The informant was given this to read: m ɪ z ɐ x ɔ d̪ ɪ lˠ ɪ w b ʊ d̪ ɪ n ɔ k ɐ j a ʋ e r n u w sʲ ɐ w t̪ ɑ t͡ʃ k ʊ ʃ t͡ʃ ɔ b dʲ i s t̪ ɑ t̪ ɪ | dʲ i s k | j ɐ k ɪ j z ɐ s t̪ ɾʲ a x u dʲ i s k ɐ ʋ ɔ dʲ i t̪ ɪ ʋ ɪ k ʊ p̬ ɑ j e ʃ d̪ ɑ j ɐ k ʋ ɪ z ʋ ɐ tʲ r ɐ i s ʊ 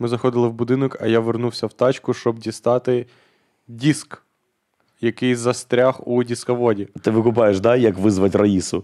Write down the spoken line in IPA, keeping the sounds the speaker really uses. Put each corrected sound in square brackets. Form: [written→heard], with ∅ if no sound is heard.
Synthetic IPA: m ɪ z ɐ x ɔ d̪ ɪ lˠ ɪ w b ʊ d̪ ɪ n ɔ k ɐ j a ʋ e r n u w sʲ ɐ w t̪ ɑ t͡ʃ k ʊ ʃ t͡ʃ ɔ b dʲ i s t̪ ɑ t̪ ɪ | dʲ i s k | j ɐ k ɪ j z ɐ s t̪ ɾʲ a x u dʲ i s k ɐ ʋ ɔ dʲ i t̪ ɪ ʋ ɪ k ʊ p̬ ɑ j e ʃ d̪ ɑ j ɐ k ʋ ɪ z ʋ ɐ tʲ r ɐ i s ʊ